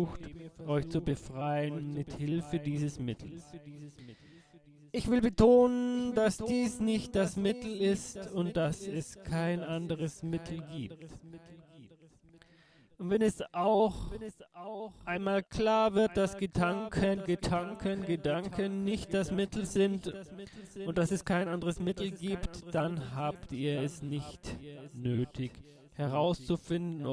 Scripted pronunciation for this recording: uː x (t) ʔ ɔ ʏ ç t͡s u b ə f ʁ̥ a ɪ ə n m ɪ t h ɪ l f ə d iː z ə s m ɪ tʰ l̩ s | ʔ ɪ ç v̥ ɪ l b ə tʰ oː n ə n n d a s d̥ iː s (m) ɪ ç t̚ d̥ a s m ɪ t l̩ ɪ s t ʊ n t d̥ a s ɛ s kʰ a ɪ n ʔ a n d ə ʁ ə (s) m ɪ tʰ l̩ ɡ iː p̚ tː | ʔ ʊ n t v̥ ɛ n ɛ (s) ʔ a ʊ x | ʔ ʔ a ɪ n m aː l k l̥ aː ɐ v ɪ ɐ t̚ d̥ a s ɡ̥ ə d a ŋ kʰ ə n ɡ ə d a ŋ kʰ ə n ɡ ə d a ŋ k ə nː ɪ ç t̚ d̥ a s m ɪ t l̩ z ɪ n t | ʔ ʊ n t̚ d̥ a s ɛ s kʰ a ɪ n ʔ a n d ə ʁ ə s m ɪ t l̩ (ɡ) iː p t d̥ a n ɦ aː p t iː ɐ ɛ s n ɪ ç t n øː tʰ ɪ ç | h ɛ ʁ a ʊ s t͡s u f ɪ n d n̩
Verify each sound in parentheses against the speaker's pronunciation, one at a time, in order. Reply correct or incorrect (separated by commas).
correct, incorrect, correct, correct, correct